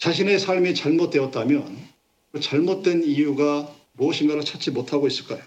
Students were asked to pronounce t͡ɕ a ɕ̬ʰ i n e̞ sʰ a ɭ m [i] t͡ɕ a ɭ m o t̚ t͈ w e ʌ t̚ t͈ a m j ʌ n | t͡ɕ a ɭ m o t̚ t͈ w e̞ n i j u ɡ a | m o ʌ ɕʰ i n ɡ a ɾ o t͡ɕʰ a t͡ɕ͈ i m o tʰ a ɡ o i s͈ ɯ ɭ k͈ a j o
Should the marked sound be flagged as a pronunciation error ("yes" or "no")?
no